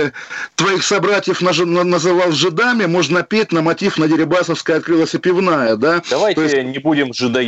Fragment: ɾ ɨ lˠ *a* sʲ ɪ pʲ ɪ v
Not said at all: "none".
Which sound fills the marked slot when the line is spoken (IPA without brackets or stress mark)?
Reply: ə